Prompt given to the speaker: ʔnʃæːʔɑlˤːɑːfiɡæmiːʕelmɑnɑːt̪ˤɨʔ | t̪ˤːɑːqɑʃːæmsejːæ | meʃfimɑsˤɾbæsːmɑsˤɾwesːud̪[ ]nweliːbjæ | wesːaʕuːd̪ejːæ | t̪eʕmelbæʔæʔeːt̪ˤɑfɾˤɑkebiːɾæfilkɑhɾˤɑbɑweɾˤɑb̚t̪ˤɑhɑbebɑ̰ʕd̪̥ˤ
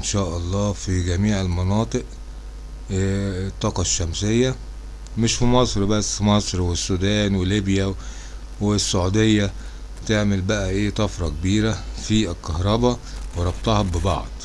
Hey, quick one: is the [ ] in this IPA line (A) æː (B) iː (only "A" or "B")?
A